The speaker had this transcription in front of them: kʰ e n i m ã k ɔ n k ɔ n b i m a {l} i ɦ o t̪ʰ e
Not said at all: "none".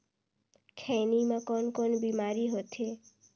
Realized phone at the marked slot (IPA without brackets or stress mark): ɾ